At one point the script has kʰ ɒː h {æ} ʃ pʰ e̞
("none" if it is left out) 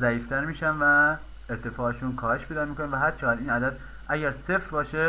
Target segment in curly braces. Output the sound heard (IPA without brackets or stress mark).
e